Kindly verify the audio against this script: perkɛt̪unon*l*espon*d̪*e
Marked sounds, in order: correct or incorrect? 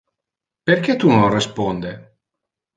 incorrect, correct

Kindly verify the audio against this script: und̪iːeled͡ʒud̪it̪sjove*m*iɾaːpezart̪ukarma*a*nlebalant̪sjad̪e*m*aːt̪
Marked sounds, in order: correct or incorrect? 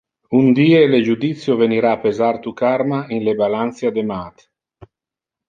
incorrect, incorrect, correct

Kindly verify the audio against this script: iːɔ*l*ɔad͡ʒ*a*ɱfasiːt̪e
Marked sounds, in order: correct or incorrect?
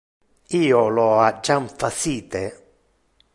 correct, correct

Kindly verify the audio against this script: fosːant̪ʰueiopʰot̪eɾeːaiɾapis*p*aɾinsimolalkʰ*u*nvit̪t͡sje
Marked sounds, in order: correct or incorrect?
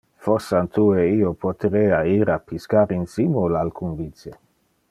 incorrect, correct

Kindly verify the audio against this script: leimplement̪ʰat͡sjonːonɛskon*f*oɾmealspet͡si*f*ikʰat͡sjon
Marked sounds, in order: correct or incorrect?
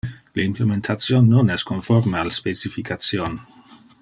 correct, correct

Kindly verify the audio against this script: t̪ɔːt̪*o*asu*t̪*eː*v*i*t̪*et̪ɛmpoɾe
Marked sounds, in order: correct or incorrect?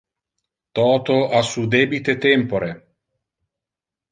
correct, incorrect, incorrect, correct

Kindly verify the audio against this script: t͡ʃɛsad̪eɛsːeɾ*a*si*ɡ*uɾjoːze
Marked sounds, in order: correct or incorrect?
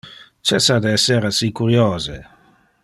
correct, incorrect

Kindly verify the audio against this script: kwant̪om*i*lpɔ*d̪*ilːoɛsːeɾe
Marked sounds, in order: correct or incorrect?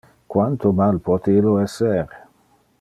incorrect, incorrect

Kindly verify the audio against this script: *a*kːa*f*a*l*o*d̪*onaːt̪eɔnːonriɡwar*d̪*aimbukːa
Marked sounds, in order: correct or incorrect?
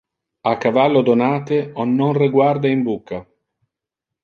correct, incorrect, incorrect, correct, correct

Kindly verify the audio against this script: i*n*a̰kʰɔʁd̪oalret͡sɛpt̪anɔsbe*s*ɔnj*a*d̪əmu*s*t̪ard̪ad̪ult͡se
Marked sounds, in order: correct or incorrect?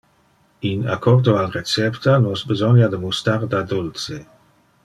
correct, incorrect, correct, correct

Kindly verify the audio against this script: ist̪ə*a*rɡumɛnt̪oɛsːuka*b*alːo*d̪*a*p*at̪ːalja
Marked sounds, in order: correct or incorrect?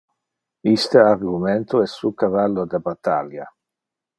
correct, incorrect, correct, incorrect

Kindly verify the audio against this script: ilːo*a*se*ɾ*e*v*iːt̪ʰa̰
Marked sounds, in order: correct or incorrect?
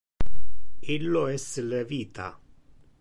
incorrect, incorrect, correct

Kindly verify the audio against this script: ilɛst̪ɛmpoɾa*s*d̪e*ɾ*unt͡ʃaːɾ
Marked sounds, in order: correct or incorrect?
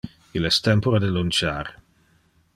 incorrect, incorrect

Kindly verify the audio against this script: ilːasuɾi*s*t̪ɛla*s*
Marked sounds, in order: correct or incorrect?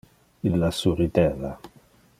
incorrect, incorrect

